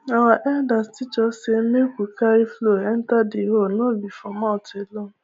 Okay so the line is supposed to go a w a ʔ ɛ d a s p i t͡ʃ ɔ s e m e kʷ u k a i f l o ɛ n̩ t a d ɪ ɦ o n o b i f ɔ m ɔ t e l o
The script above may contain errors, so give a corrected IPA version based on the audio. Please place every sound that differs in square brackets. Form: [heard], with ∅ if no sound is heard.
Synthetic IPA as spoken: a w a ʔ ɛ d a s [t] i t͡ʃ ɔ s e m e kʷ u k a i f l o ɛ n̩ t a d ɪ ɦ o n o b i f ɔ m ɔ t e l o